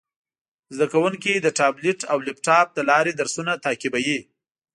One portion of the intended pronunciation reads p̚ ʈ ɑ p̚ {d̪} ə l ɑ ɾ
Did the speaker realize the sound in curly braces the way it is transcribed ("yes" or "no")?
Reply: yes